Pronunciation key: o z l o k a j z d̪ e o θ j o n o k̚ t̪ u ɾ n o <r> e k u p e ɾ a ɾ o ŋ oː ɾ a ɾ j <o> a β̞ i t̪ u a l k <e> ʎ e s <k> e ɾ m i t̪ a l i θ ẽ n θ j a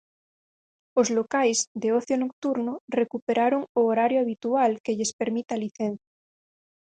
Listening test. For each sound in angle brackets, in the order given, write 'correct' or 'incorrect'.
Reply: correct, correct, correct, incorrect: p

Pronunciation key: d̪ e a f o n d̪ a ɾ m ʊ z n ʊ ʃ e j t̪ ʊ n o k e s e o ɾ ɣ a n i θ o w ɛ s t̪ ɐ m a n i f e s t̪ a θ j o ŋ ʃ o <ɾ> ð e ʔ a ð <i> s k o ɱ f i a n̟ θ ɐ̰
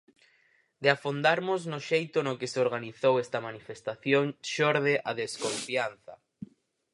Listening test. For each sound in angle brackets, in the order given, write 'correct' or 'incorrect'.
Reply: correct, incorrect: e

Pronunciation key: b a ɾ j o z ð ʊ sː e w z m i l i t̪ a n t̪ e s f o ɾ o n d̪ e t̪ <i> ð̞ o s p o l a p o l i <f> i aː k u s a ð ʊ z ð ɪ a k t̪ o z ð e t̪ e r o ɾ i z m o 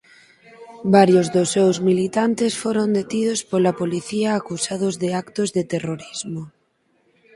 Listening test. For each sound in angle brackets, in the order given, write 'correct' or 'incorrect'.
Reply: correct, incorrect: θ

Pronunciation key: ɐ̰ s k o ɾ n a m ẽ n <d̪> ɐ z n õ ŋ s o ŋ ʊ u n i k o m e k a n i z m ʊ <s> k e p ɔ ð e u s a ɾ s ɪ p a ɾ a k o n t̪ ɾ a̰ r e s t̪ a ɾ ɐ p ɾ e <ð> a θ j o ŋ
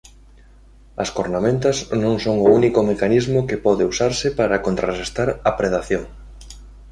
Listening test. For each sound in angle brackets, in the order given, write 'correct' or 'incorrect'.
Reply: incorrect: t̪, incorrect: none, correct

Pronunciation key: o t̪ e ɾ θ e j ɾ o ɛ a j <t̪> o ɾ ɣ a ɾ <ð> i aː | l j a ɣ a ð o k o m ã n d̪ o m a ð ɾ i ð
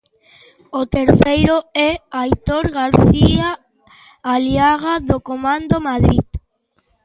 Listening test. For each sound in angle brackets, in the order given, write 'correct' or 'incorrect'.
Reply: correct, incorrect: θ

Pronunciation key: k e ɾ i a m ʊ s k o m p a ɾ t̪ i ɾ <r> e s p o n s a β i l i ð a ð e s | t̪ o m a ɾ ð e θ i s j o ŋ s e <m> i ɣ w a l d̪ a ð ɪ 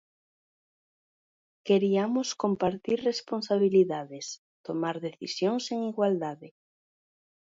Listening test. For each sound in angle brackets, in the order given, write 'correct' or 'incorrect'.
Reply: correct, incorrect: ŋ

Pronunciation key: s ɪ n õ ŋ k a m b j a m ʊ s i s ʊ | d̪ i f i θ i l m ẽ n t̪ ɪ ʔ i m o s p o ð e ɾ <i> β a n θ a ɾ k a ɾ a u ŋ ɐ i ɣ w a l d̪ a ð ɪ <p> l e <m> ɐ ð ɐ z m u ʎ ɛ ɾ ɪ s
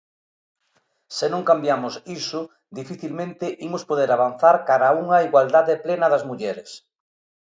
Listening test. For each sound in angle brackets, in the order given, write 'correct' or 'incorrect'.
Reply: incorrect: a, correct, incorrect: n

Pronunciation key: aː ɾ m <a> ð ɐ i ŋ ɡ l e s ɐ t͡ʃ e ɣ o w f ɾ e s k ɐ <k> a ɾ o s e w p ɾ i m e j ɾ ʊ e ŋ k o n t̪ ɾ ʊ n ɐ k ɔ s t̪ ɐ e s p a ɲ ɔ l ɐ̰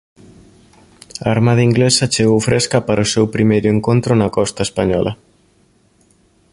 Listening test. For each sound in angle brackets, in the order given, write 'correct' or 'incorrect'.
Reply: correct, incorrect: p

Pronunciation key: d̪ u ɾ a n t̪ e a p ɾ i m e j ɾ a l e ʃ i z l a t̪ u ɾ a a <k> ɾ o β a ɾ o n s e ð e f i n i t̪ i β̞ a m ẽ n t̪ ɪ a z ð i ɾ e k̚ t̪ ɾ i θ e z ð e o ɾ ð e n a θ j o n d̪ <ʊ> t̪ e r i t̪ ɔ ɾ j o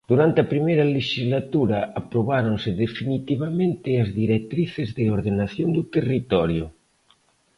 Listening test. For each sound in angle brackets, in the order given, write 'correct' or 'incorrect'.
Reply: incorrect: p, incorrect: u

